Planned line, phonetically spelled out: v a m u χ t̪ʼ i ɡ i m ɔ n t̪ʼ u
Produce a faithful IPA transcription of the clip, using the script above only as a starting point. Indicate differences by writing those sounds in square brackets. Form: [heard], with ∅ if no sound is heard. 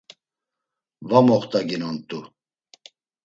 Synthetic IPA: v a m [ɔ] χ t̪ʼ [a] ɡ i [n] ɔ n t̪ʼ u

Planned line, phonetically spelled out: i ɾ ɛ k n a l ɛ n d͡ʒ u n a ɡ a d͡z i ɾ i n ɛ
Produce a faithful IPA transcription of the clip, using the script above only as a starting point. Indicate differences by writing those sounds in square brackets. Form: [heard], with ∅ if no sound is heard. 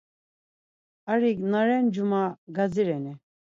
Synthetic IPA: [a] ɾ [i] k n a [ɾ] ɛ n d͡ʒ u [m] a ɡ a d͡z i ɾ [ɛ] n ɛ

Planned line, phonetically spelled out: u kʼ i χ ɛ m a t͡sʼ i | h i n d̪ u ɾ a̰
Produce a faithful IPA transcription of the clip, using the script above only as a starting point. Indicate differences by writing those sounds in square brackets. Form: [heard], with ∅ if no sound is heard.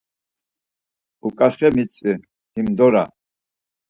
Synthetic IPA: u kʼ [a] χ ɛ m [i] t͡sʼ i | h i [m] d̪ [ɔ] ɾ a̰

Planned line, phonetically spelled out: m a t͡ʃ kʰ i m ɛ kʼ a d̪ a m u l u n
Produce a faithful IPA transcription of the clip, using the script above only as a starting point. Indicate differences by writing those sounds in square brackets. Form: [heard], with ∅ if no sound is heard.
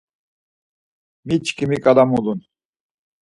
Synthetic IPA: m [i] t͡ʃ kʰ i m [i] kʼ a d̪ a m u l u n

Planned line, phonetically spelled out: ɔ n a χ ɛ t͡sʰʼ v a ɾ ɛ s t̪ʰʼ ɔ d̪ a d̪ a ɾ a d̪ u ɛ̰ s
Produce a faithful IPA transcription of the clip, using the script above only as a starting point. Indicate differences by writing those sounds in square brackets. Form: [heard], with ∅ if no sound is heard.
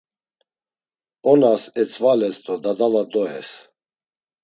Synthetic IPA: ɔ n a [s] ɛ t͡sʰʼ v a [l] ɛ s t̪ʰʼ ɔ d̪ a d̪ a [l] a d̪ [ɔ] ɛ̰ s

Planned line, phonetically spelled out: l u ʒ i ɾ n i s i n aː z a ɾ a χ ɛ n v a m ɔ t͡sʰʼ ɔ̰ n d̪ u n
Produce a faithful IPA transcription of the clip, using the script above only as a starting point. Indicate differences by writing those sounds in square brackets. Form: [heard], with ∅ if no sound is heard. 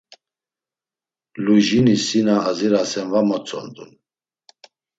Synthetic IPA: l u ʒ i [∅] n i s i n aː z [i] ɾ a [s] ɛ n v a m ɔ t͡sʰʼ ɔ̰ n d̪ u n

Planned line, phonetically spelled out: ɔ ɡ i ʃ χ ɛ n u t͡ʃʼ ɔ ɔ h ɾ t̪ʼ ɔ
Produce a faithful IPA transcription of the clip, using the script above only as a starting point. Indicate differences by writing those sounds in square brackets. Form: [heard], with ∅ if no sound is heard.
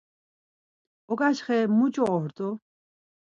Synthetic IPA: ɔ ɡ [a] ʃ χ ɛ [m] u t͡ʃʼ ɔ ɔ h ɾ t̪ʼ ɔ

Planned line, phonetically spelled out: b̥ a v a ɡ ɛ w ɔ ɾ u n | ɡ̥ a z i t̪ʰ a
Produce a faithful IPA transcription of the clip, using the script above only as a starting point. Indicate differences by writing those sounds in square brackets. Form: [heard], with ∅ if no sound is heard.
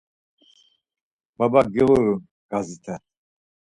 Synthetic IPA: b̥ a [b] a ɡ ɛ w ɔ ɾ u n | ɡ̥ a z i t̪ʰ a

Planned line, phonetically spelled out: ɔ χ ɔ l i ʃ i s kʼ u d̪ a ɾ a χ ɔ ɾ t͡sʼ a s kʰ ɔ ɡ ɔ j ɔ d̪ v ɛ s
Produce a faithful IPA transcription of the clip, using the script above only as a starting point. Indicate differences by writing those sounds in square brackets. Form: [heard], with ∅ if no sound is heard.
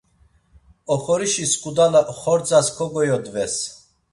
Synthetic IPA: ɔ χ ɔ [ɾ] i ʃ i s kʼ u d̪ a [l] a χ ɔ ɾ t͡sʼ a s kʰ ɔ ɡ ɔ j ɔ d̪ v ɛ s

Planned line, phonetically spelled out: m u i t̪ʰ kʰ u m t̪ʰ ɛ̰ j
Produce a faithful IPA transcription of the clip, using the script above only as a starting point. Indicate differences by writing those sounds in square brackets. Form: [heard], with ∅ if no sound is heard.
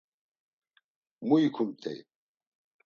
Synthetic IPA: m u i [∅] kʰ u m t̪ʰ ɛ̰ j

